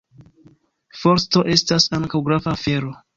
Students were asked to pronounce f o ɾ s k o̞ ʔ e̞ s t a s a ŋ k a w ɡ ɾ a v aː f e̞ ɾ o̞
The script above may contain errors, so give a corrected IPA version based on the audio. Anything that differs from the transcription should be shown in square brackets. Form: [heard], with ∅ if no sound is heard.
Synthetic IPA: f o ɾ s [t] o̞ ʔ e̞ s t a s a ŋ k a w ɡ ɾ a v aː f e̞ ɾ o̞